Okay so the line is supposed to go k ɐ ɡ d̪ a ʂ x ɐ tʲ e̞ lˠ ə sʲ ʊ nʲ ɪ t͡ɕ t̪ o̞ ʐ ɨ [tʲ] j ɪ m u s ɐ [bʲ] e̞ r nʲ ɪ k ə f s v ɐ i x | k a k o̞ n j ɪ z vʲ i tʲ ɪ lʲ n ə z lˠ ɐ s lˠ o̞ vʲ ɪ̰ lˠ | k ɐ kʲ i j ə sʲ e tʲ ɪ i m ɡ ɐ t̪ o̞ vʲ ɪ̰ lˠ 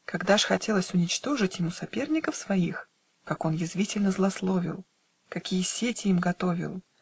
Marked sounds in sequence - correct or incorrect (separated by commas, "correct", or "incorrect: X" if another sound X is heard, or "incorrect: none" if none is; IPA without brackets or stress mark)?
correct, incorrect: pʲ